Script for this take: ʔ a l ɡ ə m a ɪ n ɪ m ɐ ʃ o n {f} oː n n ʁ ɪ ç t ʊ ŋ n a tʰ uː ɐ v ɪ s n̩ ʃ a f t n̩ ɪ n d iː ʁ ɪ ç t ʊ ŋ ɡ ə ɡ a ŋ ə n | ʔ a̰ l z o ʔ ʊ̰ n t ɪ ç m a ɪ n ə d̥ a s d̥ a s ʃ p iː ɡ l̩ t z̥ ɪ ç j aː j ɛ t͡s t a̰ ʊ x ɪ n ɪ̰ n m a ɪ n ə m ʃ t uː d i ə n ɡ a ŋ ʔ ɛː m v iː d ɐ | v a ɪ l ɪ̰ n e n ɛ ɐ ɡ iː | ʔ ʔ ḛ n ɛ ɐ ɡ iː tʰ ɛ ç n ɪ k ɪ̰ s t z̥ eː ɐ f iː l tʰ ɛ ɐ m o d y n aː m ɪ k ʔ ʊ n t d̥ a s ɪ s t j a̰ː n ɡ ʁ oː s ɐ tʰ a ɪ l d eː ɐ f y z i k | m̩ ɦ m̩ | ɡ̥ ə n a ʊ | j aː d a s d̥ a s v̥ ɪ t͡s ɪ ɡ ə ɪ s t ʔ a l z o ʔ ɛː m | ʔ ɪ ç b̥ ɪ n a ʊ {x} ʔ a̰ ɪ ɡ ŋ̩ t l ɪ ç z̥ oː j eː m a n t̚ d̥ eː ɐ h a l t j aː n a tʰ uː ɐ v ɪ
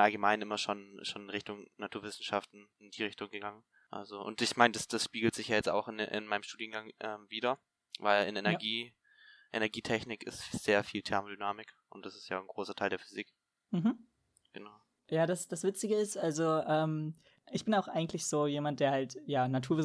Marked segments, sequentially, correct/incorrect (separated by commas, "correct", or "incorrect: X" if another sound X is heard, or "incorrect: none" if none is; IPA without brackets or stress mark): incorrect: ʃ, correct